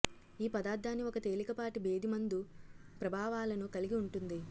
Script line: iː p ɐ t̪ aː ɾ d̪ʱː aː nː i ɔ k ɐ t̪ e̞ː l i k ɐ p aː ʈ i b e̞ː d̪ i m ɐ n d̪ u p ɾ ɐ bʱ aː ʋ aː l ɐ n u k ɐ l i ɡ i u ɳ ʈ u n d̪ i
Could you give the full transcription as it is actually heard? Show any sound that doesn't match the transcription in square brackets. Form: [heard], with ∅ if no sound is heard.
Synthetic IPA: iː p ɐ [d̪] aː ɾ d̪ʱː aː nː i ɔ k ɐ t̪ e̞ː l i k ɐ p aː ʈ i b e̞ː d̪ i m ɐ n d̪ u p ɾ ɐ bʱ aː ʋ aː l ɐ n u k ɐ l i ɡ i u ɳ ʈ u n d̪ i

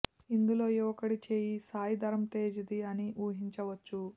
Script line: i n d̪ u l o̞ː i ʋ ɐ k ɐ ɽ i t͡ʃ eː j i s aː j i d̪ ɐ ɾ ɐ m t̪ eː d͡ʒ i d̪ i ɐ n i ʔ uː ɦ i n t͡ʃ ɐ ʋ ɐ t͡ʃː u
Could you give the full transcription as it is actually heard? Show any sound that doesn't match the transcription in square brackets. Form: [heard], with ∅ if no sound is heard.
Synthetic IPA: i n d̪ u l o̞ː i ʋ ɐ k ɐ ɽ i t͡ʃ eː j i s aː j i d̪ ɐ ɾ ɐ m t̪ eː d͡ʒ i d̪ i ɐ n i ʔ uː ɦ i [ɲ] t͡ʃ ɐ ʋ ɐ t͡ʃː u

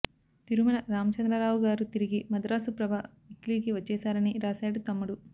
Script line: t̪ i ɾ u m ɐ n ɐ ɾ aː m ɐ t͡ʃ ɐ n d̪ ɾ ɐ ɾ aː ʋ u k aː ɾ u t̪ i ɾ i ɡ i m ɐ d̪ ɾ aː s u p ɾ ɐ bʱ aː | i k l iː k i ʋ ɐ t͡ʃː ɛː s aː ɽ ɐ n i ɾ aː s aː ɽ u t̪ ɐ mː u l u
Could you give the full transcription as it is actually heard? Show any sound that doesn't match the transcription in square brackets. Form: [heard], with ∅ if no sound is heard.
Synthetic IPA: t̪ i ɾ u m ɐ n ɐ ɾ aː m ɐ t͡ʃ ɐ n d̪ ɾ ɐ ɾ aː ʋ u [ɡ] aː ɾ u t̪ i ɾ i ɡ i m ɐ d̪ ɾ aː s u p ɾ ɐ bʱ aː | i k l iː k i ʋ ɐ t͡ʃː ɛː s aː [ɾ] ɐ n i ɾ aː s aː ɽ u t̪ ɐ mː u [ɽ] u

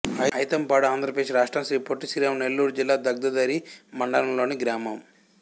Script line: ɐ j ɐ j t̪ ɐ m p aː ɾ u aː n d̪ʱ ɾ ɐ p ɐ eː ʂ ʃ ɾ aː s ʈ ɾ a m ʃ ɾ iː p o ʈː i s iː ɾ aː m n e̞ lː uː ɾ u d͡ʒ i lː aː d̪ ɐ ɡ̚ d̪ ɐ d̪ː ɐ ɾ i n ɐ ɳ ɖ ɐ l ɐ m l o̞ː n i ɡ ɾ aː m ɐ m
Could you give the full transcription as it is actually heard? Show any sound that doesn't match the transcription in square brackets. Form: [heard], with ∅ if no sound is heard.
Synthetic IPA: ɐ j ɐ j t̪ ɐ m p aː [ɽ] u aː n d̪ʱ ɾ ɐ p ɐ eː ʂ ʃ ɾ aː [ʂ] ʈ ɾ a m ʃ ɾ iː p o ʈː i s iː ɾ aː m n e̞ lː uː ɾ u d͡ʒ i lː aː d̪ ɐ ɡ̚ d̪ ɐ [d̪] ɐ ɾ i [m] ɐ ɳ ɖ ɐ l ɐ m l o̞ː n i ɡ ɾ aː m ɐ m

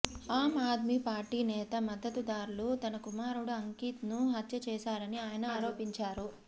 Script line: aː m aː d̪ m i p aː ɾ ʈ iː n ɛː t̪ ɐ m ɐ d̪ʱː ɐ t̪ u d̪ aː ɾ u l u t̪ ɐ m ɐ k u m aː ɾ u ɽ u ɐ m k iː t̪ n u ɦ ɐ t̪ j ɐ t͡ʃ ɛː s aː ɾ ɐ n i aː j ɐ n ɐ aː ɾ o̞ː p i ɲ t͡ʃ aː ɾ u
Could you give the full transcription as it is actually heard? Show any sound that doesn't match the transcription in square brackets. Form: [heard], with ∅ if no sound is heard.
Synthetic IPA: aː m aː d̪ m i p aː ɾ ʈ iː n ɛː t̪ ɐ m ɐ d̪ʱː ɐ t̪ u d̪ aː ɾ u l u t̪ ɐ [n] ɐ k u m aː ɾ u ɽ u ɐ [ŋ] k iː t̪ n u ɦ ɐ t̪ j ɐ t͡ʃ ɛː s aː ɾ ɐ n i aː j ɐ n ɐ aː ɾ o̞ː p i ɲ t͡ʃ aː ɾ u

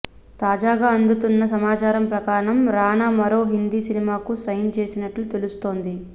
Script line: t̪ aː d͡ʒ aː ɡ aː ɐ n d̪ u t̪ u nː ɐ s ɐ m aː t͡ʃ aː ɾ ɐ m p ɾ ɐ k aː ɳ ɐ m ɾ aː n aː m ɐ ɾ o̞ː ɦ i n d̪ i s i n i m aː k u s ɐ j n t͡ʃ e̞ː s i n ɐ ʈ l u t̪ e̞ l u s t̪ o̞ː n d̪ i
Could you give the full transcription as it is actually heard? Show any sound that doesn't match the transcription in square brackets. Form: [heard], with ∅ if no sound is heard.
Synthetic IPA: t̪ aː d͡ʒ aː ɡ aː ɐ n d̪ u t̪ u nː ɐ s ɐ m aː t͡ʃ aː ɾ ɐ m p ɾ ɐ k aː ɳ ɐ m ɾ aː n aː m ɐ ɾ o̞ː ɦ i n d̪ i s i n i m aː k u s ɐ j n t͡ʃ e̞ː s i n ɐ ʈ l u t̪ e̞ l u s t̪ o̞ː n d̪ i

